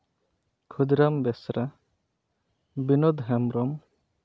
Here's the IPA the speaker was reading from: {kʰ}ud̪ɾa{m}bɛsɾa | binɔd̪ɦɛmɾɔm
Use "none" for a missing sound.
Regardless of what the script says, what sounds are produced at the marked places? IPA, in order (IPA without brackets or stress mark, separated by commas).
kʰ, m